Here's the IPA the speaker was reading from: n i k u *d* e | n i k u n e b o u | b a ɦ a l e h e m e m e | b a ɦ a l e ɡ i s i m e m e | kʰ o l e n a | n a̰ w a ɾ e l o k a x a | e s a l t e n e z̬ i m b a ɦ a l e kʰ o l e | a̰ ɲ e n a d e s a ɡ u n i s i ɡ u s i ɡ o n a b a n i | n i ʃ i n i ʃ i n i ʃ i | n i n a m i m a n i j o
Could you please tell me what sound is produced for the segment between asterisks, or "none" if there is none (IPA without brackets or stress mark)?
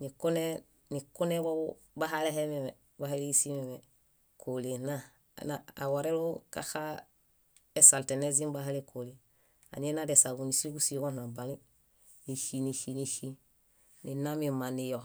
n